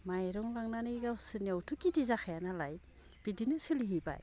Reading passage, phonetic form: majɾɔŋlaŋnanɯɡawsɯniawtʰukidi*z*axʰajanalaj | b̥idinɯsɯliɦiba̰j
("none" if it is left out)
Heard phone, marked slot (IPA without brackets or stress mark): z